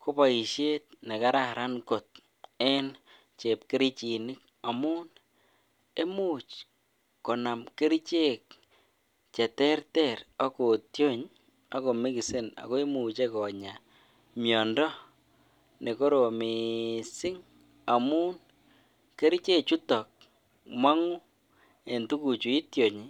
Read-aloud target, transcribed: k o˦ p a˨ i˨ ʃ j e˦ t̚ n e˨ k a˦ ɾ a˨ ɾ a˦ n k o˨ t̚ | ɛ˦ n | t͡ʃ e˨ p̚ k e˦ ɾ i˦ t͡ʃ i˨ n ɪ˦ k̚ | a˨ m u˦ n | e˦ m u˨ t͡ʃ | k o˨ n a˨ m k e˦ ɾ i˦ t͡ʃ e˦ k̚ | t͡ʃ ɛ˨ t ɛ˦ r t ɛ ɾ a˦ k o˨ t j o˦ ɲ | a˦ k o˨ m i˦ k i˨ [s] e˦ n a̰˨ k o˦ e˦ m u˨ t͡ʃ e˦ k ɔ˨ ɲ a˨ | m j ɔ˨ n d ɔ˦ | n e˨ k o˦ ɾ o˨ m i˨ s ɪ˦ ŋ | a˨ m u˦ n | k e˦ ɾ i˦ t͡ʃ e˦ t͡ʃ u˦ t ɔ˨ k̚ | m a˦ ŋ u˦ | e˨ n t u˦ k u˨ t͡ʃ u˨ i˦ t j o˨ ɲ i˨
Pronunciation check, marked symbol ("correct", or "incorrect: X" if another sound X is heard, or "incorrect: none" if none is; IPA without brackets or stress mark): correct